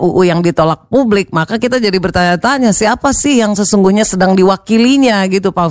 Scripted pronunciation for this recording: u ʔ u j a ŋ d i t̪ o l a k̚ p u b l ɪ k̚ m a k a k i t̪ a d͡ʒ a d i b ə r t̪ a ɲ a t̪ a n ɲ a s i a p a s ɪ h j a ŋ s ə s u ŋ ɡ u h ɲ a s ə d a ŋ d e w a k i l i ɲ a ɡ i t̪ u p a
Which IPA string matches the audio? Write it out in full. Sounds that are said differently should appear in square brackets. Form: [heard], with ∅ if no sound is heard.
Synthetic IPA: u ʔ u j a ŋ d i t̪ o l a k̚ p u b l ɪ k̚ m a k a k i t̪ a d͡ʒ a d i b ə r t̪ a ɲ a t̪ a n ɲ a s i a p a s ɪ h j a ŋ s ə s u ŋ ɡ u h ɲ a s ə d a ŋ d [i] w a k i l i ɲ a ɡ i t̪ u p a